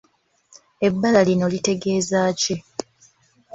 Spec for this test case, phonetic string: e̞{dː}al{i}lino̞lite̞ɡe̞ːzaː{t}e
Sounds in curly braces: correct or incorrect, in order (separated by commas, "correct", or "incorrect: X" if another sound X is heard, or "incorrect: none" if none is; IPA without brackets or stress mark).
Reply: incorrect: bː, incorrect: a, incorrect: c